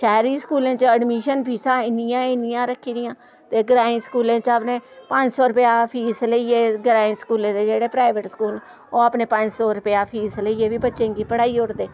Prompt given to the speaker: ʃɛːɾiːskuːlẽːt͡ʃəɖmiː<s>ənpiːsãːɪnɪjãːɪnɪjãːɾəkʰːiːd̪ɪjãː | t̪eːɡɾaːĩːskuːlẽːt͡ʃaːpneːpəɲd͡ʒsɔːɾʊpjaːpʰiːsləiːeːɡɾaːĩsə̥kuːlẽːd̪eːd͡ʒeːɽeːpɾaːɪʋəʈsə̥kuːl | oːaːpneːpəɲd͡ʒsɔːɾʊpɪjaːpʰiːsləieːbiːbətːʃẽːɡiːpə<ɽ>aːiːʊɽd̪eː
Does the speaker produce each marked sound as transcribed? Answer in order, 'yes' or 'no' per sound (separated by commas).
no, yes